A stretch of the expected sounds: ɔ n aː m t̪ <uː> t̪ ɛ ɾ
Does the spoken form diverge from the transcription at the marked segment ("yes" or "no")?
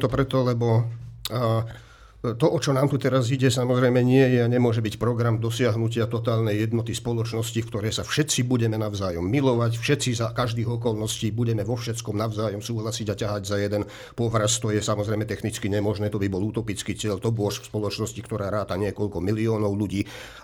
yes